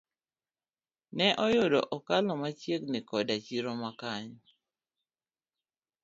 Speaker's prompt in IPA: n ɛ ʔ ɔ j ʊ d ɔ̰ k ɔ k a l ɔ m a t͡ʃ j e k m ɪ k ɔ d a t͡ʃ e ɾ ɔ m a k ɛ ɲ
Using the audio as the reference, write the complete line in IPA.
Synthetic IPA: n ɛ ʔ ɔ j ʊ d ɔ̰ ʔ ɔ k a l ɔ m a t͡ʃ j e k n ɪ k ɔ d a t͡ʃ i ɾ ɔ m a k a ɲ